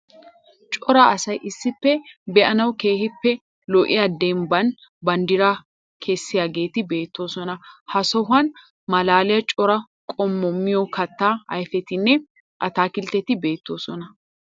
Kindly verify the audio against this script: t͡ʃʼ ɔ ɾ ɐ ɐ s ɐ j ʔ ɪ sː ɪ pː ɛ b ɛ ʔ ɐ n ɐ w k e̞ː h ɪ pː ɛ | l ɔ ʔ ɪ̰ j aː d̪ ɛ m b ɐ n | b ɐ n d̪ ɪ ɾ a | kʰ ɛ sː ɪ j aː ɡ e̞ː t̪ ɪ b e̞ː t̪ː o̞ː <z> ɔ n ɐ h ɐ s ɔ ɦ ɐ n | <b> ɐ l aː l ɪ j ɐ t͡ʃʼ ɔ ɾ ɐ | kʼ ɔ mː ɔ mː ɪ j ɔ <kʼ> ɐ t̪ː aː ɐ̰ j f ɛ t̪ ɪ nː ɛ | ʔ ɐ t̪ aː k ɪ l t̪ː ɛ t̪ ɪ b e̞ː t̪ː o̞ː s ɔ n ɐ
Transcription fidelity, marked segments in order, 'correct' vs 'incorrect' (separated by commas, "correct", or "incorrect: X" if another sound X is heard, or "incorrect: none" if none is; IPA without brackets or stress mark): incorrect: s, incorrect: m, incorrect: k